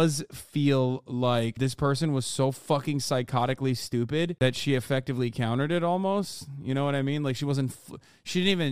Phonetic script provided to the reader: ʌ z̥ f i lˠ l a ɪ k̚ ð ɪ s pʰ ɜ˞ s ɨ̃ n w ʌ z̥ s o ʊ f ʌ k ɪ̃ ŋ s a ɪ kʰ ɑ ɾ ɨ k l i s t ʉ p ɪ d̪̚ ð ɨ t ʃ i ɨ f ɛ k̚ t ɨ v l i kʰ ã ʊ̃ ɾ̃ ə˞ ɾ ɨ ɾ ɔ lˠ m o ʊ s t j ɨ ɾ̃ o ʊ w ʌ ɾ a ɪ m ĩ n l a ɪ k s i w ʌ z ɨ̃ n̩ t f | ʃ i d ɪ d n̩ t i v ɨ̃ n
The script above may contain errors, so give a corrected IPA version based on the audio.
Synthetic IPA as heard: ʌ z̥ f i lˠ l a ɪ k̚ ð ɪ s pʰ ɜ˞ s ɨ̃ n w ʌ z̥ s o ʊ f ʌ k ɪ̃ ŋ s a ɪ kʰ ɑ ɾ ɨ k l i s t ʉ p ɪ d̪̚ ð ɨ t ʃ i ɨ f ɛ k̚ t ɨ v l i kʰ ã ʊ̃ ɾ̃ ə˞ ɾ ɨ ɾ ɔ lˠ m o ʊ s t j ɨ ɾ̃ o ʊ w ʌ ɾ a ɪ m ĩ n l a ɪ k ʃ i w ʌ z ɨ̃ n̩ t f | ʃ i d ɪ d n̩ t i v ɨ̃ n